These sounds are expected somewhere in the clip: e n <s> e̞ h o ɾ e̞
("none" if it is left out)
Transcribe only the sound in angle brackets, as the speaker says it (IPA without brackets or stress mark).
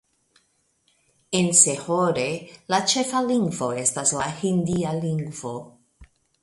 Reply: s